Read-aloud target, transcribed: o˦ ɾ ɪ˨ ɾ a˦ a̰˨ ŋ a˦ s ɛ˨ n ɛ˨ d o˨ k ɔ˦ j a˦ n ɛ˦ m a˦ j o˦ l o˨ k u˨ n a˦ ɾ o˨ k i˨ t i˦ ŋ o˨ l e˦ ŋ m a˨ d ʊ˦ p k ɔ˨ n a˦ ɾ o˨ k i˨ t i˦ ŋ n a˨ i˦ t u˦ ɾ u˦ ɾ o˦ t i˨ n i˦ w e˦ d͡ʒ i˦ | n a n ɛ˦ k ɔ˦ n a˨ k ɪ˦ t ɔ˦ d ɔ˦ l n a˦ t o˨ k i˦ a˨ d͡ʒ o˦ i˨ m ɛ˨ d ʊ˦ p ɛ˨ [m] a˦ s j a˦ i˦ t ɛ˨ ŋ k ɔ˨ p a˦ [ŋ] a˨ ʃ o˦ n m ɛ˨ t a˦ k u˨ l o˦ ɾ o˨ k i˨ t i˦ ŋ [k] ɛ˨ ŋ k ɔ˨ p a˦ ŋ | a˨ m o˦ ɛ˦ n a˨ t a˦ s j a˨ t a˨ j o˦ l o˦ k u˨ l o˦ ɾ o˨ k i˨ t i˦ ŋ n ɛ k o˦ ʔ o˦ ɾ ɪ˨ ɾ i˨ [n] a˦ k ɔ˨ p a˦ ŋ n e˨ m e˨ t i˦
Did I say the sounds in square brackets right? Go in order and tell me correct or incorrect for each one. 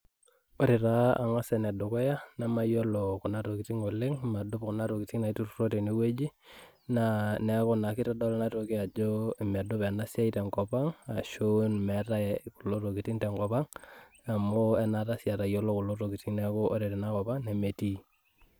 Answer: incorrect: n, correct, incorrect: t, correct

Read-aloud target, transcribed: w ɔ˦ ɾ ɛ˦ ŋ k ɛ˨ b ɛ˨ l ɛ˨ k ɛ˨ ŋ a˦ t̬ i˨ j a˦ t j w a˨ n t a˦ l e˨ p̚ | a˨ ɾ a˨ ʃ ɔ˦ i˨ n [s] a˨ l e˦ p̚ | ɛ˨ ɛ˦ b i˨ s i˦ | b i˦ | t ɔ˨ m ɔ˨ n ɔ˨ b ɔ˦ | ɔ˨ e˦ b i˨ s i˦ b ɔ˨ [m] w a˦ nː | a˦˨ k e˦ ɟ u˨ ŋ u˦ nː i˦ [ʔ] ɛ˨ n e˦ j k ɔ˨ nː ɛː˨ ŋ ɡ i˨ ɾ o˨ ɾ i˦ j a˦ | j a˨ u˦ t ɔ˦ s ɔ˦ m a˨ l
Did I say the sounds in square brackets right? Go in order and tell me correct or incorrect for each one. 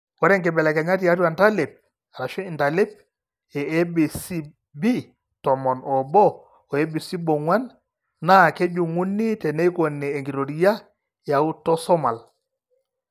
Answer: incorrect: t, incorrect: ŋ, incorrect: t

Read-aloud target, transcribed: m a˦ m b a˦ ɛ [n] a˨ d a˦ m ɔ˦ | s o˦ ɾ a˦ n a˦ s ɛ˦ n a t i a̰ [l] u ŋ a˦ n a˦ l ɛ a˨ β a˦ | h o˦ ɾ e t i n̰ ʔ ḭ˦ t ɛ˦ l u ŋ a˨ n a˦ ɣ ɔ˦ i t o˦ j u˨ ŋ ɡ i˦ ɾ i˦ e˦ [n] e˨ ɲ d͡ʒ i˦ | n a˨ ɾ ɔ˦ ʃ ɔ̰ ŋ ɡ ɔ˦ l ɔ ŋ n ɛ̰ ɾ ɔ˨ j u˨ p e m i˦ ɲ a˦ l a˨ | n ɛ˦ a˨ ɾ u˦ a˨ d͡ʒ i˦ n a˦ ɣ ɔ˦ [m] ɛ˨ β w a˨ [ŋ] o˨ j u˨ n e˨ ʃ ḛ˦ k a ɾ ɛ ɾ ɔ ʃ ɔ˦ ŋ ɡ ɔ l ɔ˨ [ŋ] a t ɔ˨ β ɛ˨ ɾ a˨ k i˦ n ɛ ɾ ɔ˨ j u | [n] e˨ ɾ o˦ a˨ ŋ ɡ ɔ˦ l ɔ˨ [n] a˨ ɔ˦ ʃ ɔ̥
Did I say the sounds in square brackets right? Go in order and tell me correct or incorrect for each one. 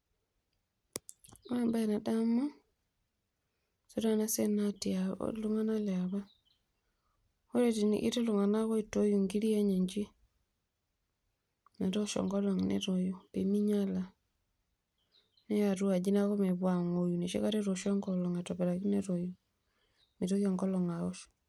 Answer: correct, correct, incorrect: ɲ, correct, correct, correct, incorrect: m, incorrect: ŋ

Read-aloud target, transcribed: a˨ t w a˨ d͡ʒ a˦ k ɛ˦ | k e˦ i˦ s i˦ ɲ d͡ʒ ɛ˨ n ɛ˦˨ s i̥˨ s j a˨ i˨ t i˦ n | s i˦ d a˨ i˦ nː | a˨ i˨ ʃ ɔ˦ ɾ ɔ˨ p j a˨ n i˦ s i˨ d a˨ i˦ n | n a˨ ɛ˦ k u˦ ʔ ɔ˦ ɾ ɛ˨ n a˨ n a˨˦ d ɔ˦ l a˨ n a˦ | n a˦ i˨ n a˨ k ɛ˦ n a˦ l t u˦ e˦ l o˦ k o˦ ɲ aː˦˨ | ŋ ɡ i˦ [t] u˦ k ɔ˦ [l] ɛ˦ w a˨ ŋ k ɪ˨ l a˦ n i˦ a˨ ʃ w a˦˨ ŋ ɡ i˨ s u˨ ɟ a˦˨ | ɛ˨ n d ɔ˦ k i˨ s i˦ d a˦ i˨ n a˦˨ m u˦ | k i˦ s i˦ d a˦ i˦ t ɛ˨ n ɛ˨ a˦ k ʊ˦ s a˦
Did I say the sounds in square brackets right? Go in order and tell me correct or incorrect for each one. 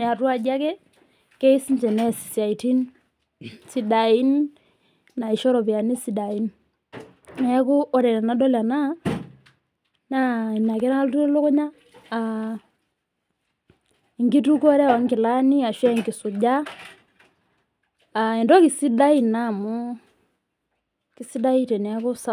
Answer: correct, incorrect: ɾ

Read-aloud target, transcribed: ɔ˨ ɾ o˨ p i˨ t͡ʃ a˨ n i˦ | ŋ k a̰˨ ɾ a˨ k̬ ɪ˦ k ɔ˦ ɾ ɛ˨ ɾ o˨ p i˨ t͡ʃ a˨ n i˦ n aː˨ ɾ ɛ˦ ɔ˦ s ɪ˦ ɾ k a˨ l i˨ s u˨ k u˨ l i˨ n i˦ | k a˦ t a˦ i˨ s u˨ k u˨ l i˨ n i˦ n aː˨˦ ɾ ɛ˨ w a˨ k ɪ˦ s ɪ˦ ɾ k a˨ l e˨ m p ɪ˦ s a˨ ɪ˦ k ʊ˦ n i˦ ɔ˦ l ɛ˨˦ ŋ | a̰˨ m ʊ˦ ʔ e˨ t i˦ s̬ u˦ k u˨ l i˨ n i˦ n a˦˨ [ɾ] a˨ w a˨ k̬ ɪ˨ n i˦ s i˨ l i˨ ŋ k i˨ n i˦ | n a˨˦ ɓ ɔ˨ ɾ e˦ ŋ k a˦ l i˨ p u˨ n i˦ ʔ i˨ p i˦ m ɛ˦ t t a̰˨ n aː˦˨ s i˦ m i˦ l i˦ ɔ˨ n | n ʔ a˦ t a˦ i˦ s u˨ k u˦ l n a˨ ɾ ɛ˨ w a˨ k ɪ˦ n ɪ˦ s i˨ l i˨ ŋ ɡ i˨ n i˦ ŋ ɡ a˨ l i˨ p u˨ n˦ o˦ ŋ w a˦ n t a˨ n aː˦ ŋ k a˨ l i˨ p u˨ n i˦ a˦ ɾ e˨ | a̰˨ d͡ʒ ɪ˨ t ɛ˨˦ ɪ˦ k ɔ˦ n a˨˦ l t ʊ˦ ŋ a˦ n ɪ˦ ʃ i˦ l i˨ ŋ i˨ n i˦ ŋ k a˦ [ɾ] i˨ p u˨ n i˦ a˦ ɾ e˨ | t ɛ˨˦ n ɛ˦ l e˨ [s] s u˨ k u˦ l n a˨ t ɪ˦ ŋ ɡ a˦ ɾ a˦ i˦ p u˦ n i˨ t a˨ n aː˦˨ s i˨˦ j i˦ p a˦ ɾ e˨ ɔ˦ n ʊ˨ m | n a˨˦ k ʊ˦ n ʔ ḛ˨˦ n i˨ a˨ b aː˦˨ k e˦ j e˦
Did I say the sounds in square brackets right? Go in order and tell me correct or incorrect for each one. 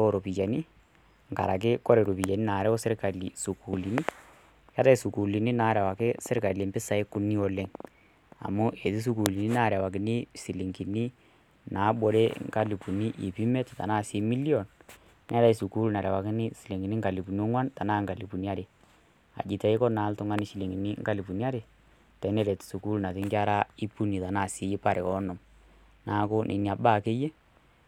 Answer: correct, incorrect: l, incorrect: t

